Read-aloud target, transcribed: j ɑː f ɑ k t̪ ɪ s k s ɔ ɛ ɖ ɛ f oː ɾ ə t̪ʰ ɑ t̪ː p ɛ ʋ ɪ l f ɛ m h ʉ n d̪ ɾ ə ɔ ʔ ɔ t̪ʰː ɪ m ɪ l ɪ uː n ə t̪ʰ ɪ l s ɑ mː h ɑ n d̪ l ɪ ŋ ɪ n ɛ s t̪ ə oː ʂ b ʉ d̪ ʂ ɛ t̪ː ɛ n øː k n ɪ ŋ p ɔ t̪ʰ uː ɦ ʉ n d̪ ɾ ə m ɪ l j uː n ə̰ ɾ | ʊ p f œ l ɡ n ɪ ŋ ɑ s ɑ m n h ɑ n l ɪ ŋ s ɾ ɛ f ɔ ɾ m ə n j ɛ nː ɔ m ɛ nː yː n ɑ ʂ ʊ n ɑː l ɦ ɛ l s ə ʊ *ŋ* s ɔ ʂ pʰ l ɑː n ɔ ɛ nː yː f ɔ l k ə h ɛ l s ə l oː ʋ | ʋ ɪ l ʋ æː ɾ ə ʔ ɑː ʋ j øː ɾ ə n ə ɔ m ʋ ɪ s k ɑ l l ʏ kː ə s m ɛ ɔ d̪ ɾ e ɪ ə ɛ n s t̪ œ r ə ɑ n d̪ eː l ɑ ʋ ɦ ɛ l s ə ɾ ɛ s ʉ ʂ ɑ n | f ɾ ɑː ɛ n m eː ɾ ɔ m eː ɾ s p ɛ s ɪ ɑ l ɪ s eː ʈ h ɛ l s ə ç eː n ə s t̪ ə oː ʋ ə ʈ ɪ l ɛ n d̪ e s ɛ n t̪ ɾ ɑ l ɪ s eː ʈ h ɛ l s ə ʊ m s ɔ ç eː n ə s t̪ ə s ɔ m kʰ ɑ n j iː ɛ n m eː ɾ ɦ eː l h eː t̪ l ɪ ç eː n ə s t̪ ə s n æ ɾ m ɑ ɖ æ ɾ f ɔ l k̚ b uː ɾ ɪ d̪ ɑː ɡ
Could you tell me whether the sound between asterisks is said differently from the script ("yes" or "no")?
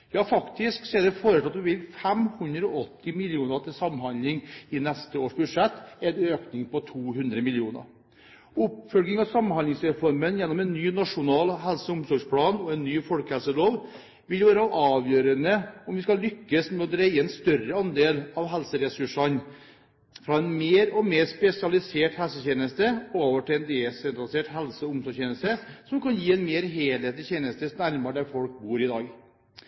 yes